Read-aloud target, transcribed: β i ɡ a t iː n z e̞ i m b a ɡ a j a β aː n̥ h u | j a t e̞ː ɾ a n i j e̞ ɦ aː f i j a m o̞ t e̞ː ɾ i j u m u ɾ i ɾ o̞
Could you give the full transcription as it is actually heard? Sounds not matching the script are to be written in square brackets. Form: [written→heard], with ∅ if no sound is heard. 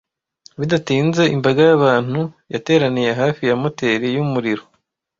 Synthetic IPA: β i [ɡ→d] a t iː n z e̞ i m b a ɡ a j a β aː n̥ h u | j a t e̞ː ɾ a n i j e̞ ɦ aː f i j a m o̞ t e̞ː ɾ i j u m u ɾ i ɾ o̞